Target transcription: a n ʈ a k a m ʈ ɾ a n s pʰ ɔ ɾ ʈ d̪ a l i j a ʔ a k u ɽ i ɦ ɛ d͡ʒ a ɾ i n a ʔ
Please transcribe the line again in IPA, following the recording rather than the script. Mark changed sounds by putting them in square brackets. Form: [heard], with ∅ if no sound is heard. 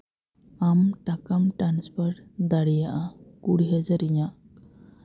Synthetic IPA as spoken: a [m] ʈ a k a m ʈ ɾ a n s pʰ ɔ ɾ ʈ d̪ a [ɽ] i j a ʔ a k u ɽ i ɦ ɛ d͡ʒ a ɾ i [ɲ] a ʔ

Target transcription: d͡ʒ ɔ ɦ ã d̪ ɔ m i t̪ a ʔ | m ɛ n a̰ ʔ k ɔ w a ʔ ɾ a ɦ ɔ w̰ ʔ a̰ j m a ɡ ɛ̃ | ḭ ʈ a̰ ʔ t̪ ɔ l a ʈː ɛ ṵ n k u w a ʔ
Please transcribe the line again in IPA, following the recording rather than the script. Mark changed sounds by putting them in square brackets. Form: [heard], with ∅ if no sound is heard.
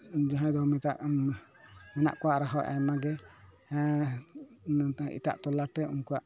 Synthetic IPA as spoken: d͡ʒ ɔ ɦ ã d̪ ɔ m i t̪ a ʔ | m ɛ n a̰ ʔ k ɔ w a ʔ ɾ a ɦ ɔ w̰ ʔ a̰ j m a ɡ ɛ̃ | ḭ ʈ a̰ ʔ t̪ ɔ l a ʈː ɛ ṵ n k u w a ʔ

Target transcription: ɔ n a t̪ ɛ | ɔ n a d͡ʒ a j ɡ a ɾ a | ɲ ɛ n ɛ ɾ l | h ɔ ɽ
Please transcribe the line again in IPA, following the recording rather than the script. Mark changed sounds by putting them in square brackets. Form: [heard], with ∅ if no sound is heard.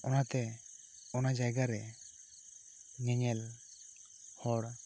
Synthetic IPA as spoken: ɔ n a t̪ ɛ | ɔ n a d͡ʒ a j ɡ a ɾ [ɛ] | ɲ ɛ [ɲ] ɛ [∅] l | h ɔ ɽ

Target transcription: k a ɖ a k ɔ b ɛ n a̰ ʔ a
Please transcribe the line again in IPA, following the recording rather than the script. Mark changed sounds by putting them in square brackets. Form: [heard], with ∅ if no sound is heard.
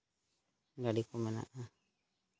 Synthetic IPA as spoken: [ɡ] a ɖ [i] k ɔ [m] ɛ n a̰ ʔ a

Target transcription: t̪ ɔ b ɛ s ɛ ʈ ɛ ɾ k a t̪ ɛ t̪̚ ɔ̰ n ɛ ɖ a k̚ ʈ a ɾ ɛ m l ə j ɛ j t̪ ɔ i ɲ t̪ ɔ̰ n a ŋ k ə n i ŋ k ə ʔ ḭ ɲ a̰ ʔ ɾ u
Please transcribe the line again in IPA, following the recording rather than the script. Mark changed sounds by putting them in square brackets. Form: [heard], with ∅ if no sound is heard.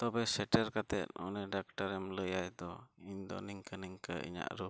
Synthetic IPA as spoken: t̪ ɔ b ɛ s ɛ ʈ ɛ ɾ k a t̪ ɛ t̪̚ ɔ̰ n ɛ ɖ a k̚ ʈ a ɾ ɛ m l ə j [a] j [d̪] ɔ i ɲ [d̪] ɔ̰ n [i] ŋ k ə n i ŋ k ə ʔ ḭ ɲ a̰ ʔ ɾ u

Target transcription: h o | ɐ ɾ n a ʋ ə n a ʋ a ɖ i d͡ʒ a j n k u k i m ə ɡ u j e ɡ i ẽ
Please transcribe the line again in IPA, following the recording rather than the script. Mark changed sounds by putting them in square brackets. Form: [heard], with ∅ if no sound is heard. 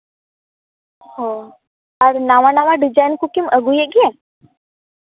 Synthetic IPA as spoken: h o | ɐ ɾ n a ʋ [a] n a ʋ a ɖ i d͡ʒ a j n k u k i m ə ɡ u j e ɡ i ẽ

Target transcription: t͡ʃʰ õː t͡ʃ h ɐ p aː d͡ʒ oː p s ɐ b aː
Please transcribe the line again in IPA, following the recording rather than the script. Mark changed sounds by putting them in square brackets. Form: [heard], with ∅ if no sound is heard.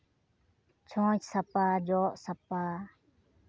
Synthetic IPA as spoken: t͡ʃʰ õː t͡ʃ [s] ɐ p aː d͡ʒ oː [ʔ] s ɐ [p] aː

